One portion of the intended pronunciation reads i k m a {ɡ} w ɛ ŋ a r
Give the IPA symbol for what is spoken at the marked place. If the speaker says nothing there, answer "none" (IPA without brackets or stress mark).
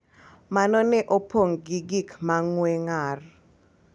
ŋ